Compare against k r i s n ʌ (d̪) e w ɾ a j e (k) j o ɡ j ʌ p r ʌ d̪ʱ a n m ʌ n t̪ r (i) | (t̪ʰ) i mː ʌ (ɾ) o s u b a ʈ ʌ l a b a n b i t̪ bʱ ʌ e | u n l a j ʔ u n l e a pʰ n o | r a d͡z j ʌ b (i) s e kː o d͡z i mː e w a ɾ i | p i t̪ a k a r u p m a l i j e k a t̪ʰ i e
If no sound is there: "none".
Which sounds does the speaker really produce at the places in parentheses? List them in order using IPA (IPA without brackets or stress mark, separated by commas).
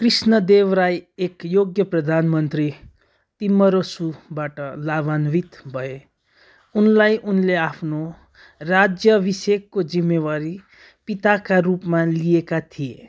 d̪, k, i, t̪, ɾ, i